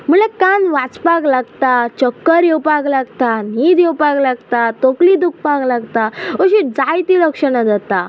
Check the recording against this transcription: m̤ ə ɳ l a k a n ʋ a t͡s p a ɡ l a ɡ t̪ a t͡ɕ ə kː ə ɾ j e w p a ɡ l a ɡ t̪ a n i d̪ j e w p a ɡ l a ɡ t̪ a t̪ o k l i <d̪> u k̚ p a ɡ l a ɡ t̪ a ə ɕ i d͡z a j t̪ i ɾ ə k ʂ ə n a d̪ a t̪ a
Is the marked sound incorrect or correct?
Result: correct